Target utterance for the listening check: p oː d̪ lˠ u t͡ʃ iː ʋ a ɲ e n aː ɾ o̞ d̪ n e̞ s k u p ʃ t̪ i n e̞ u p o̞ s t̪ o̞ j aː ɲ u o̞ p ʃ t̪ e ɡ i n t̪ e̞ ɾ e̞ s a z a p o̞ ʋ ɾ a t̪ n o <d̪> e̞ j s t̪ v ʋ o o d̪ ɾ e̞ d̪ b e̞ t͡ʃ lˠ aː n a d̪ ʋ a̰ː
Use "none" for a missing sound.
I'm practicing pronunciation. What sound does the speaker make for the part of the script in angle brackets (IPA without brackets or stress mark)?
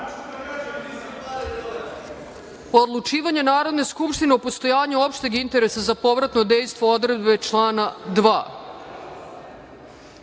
d̪